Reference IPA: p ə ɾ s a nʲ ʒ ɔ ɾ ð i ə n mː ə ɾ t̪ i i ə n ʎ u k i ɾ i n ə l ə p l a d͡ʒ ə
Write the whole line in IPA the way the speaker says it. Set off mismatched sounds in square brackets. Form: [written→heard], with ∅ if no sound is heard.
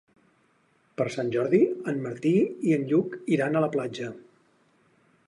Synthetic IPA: p ə ɾ s a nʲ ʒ ɔ ɾ ð i ə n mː ə ɾ t̪ i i ə n ʎ u k i ɾ [i→a] n ə l ə p l a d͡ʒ ə